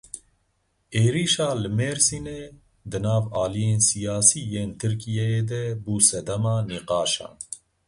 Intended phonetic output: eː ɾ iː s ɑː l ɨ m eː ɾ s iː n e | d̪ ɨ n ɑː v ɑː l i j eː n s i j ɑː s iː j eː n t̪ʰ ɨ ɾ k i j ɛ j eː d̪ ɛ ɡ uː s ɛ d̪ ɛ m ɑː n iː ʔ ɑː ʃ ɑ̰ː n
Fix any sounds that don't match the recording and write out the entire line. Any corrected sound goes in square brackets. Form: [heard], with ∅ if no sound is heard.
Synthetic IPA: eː ɾ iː [ʃ] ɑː l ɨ m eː ɾ s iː n e | d̪ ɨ n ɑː v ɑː l i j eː n s i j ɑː s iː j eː n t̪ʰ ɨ ɾ k i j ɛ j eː d̪ ɛ [b] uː s ɛ d̪ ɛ m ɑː n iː [q] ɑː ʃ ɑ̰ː n